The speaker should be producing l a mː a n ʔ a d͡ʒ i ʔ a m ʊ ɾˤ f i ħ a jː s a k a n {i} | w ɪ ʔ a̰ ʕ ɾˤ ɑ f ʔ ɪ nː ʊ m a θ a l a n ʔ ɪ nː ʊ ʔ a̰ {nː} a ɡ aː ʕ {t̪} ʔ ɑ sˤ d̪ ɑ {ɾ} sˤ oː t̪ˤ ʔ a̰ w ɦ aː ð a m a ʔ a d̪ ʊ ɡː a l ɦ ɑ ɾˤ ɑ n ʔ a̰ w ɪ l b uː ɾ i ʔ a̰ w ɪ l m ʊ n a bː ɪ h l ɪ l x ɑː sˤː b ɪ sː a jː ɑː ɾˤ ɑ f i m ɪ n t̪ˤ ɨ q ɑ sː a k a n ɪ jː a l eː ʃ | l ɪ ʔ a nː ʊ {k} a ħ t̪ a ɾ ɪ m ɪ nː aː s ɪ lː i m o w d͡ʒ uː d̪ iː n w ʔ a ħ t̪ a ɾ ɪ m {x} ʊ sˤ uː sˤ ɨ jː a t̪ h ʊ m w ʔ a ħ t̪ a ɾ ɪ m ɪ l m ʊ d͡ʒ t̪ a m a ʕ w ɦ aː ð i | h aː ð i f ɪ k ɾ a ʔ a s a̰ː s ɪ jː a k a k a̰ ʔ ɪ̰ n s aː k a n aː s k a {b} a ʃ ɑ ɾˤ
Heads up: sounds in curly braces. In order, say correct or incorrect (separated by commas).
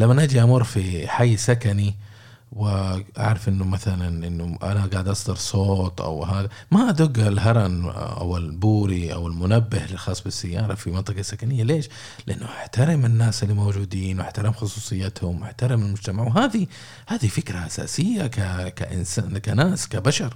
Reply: correct, incorrect, incorrect, correct, incorrect, correct, correct